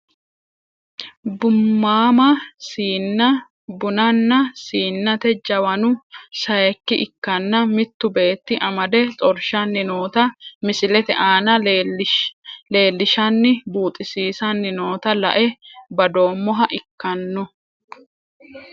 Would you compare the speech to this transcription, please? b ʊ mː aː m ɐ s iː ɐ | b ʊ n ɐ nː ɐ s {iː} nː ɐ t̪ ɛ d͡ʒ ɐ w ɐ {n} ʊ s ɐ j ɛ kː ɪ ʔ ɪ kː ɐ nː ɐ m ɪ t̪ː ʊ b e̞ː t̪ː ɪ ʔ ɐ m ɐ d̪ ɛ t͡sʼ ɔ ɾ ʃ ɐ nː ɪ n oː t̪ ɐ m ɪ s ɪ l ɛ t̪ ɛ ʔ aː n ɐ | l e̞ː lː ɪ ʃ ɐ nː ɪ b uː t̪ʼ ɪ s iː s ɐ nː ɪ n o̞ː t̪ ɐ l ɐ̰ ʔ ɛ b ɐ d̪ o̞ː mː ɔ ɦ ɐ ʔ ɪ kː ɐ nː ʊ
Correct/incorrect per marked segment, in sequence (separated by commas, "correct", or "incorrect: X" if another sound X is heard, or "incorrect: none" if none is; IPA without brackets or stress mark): correct, correct